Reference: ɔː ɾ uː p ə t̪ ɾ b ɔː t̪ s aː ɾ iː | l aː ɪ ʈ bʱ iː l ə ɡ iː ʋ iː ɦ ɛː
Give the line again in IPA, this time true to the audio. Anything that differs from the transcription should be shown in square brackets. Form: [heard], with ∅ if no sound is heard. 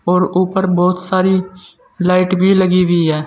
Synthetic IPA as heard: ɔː ɾ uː p ə [∅] ɾ b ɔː t̪ s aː ɾ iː | l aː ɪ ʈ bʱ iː l ə ɡ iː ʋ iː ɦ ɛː